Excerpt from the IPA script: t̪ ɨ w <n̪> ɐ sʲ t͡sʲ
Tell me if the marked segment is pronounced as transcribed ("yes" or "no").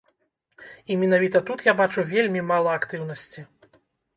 yes